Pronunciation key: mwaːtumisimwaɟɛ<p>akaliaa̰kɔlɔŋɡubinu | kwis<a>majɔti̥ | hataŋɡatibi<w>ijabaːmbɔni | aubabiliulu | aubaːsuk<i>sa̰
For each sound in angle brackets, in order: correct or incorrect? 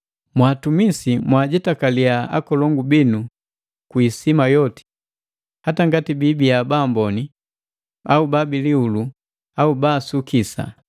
incorrect: t, incorrect: i, incorrect: b, correct

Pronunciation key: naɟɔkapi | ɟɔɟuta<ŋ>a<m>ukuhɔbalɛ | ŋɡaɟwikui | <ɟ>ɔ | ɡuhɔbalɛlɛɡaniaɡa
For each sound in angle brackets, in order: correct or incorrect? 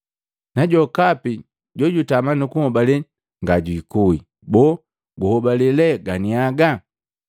incorrect: m, incorrect: n, incorrect: b

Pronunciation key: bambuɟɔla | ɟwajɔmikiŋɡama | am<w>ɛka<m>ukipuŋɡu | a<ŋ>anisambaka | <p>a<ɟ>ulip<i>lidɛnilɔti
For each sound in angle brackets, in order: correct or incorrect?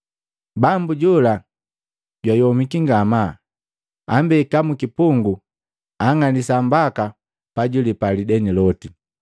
incorrect: b, correct, correct, correct, correct, incorrect: a

